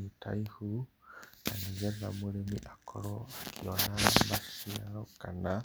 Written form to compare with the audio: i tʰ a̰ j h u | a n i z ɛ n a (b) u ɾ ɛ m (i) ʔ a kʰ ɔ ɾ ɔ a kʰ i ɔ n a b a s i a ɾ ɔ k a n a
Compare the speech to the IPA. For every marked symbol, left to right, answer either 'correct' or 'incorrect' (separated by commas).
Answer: incorrect, correct